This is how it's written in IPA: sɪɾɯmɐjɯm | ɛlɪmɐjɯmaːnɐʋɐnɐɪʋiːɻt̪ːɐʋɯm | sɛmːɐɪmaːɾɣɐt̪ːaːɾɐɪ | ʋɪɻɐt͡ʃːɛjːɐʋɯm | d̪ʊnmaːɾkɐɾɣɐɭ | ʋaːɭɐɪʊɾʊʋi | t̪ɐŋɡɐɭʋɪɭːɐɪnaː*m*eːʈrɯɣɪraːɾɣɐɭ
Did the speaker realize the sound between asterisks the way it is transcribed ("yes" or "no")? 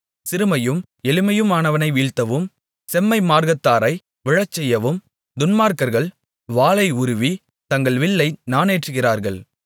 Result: no